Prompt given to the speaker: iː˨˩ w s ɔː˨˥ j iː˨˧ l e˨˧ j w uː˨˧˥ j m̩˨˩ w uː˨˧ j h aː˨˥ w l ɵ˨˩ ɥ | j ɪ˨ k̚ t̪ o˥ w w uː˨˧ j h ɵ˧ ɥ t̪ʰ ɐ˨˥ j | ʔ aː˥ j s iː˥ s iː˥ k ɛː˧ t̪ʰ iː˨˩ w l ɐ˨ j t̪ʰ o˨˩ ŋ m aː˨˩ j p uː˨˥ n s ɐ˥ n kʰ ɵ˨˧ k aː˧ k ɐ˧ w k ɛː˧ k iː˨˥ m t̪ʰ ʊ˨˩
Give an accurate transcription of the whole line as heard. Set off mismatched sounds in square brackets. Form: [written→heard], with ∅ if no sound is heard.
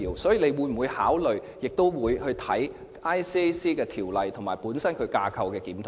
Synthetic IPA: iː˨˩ w s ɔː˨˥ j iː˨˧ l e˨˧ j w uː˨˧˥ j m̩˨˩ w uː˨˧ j h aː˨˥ w l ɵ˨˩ ɥ | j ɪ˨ k̚ t̪ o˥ w w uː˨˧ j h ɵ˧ ɥ t̪ʰ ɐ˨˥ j | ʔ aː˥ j s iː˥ s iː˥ k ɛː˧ t̪ʰ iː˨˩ w l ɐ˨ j t̪ʰ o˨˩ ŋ m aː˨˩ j p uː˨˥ n s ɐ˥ n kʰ ɵ˨˧ k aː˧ [k→kʰ] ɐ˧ w k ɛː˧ k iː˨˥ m t̪ʰ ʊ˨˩